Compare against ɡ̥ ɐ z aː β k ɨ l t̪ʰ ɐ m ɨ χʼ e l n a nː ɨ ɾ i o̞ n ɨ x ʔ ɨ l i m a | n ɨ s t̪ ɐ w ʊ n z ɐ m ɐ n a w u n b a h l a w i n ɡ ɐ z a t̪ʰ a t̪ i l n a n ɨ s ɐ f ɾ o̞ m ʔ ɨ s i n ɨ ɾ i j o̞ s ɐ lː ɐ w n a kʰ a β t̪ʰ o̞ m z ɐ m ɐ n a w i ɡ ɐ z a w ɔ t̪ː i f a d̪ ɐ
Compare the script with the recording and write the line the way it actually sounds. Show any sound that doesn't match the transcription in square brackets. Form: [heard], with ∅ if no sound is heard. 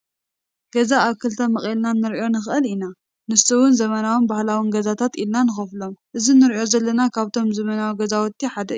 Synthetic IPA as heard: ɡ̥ ɐ z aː β k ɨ l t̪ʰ ɐ m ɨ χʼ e l n a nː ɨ ɾ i o̞ n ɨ x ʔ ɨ l i [n] a | n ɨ s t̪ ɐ w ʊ n z ɐ m ɐ n a w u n b a h l a w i n ɡ ɐ z a t̪ʰ a t̪ i l n a n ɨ [x] ɐ f [l] o̞ m ʔ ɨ [z] i n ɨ ɾ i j o̞ [z] ɐ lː ɐ [∅] n a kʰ a β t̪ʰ o̞ m z ɐ m ɐ n a w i ɡ ɐ z a w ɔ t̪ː i [ħ] a d̪ ɐ